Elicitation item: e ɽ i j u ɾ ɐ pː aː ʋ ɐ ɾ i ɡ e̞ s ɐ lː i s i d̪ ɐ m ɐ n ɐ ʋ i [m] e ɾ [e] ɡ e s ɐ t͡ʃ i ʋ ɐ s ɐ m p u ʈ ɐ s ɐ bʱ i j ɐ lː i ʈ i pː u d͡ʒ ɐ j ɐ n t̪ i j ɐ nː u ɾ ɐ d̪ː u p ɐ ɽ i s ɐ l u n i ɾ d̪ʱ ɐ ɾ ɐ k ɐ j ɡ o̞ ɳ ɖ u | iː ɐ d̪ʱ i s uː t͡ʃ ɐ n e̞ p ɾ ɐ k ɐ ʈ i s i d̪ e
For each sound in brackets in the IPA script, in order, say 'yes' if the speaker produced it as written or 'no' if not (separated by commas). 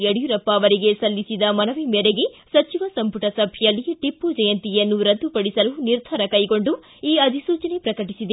yes, yes